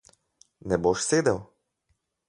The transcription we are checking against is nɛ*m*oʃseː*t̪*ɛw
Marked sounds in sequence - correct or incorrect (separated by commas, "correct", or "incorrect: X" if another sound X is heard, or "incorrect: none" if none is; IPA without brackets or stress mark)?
incorrect: b, incorrect: d̪